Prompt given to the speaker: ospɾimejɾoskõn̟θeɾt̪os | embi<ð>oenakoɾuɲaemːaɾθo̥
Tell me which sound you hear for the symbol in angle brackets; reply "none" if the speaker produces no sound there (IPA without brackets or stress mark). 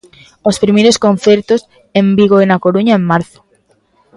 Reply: ɣ